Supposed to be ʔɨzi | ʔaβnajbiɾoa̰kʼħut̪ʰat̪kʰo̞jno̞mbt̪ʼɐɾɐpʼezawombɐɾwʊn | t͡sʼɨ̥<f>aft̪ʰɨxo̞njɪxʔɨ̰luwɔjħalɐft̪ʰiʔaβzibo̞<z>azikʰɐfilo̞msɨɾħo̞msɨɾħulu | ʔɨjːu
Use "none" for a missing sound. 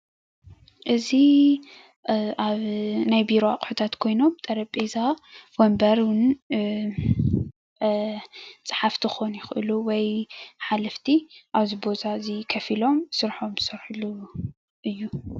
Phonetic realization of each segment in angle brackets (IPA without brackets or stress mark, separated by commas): ħ, z